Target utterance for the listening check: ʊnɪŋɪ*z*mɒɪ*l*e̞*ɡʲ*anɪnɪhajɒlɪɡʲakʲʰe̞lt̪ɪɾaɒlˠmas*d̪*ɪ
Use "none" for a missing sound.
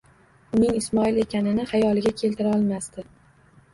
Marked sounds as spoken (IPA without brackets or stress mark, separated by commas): s, l, kʲ, t̪